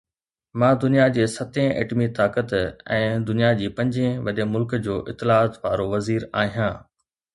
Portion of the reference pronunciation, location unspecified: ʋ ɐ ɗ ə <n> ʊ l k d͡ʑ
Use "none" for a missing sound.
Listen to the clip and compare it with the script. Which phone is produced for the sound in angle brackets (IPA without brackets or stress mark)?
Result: m